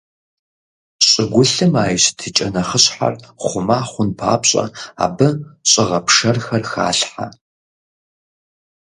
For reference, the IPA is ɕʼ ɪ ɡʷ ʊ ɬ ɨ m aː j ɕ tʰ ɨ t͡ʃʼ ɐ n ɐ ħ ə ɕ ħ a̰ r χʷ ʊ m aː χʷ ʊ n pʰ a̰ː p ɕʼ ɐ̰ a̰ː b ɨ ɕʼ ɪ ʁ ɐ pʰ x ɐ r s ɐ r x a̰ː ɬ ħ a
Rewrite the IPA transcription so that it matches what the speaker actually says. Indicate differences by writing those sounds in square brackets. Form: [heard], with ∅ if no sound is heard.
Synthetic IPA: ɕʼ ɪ ɡʷ ʊ ɬ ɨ m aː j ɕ tʰ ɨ t͡ʃʼ ɐ n ɐ [χ] ə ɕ ħ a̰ r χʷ ʊ m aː χʷ ʊ n pʰ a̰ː p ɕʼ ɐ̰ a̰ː b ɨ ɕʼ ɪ ʁ ɐ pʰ [ʂ] ɐ r [x] ɐ r x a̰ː ɬ ħ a